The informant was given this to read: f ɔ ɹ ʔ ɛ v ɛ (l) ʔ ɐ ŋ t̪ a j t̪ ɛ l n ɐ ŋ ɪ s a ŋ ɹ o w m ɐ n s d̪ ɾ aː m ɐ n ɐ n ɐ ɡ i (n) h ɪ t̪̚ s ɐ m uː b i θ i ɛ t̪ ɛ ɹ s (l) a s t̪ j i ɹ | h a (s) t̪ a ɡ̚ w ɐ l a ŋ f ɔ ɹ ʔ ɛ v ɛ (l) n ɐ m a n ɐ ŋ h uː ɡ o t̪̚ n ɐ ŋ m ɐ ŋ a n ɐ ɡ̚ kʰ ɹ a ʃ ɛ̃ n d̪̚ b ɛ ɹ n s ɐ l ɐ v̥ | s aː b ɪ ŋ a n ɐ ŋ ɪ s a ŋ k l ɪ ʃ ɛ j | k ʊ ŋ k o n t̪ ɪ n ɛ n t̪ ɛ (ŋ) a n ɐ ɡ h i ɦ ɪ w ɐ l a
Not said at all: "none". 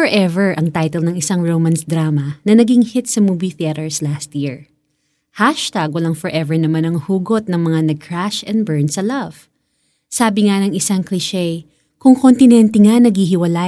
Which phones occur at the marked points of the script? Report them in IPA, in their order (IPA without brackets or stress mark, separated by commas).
ɹ, ŋ, l, ʃ, ɹ, ŋ